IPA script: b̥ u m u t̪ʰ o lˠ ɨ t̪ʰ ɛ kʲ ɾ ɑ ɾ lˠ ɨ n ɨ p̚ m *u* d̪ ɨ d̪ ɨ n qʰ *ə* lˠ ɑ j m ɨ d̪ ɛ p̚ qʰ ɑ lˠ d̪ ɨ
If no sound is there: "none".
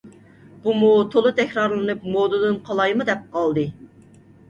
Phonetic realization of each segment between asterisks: o, ɑ

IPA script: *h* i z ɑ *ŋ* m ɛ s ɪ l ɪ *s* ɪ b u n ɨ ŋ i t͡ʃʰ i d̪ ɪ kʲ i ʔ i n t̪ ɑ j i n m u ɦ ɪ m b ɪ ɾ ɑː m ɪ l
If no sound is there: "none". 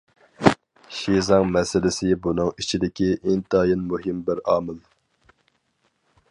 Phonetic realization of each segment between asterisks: ʃ, ŋ, s

